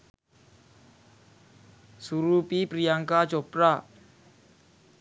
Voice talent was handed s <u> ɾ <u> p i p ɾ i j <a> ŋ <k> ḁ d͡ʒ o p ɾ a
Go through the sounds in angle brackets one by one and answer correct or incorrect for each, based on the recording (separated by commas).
correct, correct, correct, correct